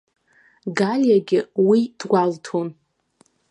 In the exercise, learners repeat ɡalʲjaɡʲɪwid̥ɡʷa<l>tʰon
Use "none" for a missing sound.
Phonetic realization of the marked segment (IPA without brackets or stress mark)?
l